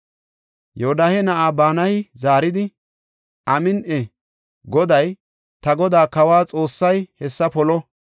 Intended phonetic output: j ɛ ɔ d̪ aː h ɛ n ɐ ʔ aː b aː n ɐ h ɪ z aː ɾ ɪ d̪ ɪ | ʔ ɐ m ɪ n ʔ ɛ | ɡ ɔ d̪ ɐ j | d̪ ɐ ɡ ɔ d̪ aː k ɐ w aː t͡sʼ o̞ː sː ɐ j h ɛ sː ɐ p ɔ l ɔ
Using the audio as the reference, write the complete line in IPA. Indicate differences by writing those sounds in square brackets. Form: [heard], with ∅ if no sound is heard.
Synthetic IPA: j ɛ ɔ d̪ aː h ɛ n ɐ ʔ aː b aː n ɐ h ɪ z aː ɾ ɪ d̪ ɪ | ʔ ɐ m ɪ n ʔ ɛ | ɡ ɔ d̪ ɐ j | [t̪] ɐ ɡ ɔ d̪ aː k ɐ w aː t͡sʼ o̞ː sː ɐ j h ɛ sː ɐ p ɔ l ɔ